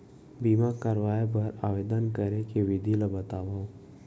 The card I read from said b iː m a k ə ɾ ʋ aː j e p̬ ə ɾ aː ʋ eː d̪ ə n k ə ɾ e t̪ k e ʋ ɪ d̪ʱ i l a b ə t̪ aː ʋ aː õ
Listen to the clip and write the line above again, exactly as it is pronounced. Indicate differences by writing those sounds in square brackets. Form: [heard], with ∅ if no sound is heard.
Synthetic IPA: b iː m a k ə ɾ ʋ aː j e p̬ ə ɾ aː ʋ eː d̪ ə n k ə ɾ e [∅] k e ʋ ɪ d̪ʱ i l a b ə t̪ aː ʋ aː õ